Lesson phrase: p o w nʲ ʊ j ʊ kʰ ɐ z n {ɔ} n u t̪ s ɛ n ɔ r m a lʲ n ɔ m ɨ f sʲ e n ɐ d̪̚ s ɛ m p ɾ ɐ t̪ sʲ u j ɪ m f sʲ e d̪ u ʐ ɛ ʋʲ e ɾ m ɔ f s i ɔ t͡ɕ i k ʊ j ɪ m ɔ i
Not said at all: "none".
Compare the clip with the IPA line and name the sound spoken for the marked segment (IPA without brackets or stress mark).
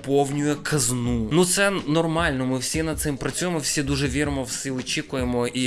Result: u